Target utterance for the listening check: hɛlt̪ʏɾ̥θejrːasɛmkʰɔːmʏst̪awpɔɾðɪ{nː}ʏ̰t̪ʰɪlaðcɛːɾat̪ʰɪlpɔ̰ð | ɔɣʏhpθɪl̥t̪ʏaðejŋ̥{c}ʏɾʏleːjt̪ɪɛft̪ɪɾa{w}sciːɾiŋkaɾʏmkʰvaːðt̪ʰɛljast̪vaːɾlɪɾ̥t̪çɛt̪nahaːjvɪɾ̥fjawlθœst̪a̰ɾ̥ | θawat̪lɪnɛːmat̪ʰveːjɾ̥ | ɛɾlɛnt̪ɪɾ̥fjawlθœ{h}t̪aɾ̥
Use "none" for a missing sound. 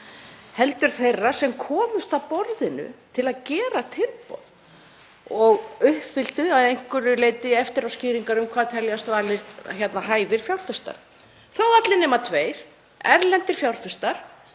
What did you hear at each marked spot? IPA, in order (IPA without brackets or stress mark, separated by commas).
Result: n, k, w, s